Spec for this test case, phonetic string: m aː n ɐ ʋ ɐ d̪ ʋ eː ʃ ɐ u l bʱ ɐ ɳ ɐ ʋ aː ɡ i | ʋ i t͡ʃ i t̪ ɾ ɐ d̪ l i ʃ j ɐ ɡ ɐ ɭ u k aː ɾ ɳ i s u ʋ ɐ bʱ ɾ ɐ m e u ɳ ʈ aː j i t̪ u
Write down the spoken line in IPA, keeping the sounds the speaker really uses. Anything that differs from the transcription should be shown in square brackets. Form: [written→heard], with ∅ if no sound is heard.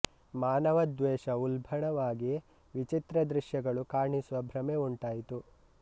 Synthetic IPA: m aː n ɐ ʋ ɐ d̪ ʋ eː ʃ ɐ u l bʱ ɐ ɳ ɐ ʋ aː ɡ i | ʋ i t͡ʃ i t̪ ɾ ɐ d̪ [l→ɾ] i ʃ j ɐ ɡ ɐ ɭ u k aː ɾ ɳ i s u ʋ ɐ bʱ ɾ ɐ m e u ɳ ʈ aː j i t̪ u